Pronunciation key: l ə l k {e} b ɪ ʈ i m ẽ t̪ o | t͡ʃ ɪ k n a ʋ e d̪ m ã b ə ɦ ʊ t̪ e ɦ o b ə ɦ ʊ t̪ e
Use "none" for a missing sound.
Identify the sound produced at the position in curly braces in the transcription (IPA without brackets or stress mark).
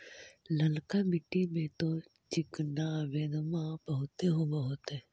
a